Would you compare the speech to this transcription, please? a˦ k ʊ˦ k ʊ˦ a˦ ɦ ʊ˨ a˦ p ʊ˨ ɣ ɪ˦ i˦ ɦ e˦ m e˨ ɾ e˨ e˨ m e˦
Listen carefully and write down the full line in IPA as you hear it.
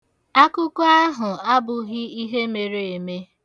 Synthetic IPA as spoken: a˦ k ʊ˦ k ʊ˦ a˦ ɦ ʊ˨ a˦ b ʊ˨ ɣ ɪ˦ i˦ ɦ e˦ m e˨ ɾ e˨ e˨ m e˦